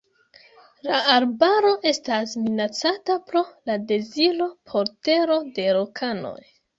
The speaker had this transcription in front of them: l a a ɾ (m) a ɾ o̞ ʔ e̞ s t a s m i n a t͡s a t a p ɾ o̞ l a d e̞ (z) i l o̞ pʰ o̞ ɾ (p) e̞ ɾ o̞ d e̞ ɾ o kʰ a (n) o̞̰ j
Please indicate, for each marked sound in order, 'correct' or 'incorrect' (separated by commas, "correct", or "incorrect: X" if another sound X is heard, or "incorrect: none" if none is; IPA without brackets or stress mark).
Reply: incorrect: b, correct, incorrect: t, correct